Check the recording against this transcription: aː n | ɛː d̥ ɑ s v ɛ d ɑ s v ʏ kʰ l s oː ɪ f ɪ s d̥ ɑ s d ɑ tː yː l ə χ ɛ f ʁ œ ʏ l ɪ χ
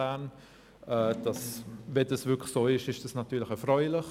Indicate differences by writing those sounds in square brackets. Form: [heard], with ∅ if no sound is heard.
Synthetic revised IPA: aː n | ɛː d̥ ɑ s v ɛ d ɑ s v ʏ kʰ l s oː ɪ [ʃ] ɪ [ʃ] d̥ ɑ s [n] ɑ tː yː l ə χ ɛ f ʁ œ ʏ l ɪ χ